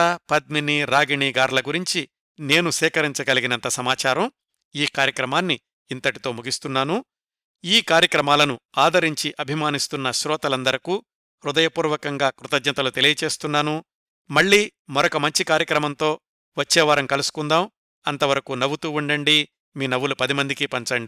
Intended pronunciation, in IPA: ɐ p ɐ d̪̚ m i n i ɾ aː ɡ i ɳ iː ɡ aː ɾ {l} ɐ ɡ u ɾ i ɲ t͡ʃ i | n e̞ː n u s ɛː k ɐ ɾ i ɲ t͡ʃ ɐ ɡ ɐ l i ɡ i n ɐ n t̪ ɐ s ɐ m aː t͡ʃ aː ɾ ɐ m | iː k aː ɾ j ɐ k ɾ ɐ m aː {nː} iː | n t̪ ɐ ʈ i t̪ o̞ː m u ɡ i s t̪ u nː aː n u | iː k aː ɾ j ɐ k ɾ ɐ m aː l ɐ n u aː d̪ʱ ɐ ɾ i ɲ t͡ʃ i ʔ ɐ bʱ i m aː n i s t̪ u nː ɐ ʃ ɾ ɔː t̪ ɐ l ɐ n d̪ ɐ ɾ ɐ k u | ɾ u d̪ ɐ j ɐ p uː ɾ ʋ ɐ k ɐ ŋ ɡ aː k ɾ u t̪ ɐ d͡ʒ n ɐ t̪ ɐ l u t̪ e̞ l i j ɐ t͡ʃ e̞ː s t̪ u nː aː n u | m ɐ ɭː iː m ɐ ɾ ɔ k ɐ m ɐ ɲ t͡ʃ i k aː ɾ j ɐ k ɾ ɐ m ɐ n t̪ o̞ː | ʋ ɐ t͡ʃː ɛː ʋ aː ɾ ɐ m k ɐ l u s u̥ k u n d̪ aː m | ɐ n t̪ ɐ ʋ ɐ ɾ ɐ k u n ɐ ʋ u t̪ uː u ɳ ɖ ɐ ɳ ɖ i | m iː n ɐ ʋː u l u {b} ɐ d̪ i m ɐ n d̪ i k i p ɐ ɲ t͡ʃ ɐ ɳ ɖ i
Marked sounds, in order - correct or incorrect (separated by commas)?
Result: correct, correct, incorrect